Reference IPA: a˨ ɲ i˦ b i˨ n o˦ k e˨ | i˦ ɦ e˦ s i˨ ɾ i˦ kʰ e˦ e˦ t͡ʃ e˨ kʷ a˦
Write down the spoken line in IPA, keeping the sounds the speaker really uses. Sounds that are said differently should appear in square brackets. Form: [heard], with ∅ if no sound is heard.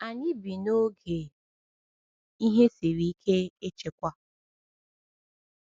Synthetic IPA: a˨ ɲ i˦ b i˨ n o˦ [ɡ] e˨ | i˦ ɦ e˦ s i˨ ɾ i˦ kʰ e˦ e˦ t͡ʃ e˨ kʷ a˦